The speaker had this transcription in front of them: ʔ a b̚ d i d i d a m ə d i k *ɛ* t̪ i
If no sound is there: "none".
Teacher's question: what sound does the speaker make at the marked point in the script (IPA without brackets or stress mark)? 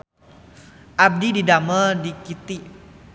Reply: i